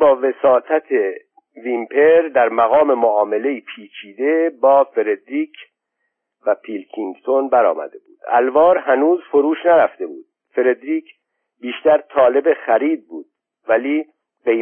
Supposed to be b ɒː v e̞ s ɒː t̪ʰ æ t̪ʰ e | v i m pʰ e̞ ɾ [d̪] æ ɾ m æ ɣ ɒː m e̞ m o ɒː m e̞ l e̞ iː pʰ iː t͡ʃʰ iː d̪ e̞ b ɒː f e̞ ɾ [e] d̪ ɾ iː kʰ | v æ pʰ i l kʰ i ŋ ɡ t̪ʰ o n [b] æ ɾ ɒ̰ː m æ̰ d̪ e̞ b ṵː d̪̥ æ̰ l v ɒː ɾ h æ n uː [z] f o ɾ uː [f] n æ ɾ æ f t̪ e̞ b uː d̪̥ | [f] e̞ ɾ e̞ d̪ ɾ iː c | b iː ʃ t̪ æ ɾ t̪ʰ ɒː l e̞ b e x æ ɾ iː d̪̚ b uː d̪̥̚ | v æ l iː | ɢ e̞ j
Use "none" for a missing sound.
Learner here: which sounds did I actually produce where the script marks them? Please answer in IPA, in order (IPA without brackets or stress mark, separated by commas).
d̪, e, b, z, ʃ, f